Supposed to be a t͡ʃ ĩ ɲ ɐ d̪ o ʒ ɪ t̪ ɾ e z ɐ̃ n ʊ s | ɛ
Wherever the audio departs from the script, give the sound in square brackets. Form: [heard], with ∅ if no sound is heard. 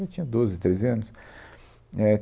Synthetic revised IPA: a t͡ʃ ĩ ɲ ɐ d̪ o [z] ɪ t̪ ɾ e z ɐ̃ n ʊ s | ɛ